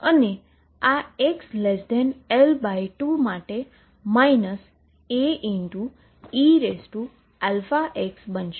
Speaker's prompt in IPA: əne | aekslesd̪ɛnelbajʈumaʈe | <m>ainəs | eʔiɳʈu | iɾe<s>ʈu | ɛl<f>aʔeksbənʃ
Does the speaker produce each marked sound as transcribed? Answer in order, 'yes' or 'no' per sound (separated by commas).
yes, yes, yes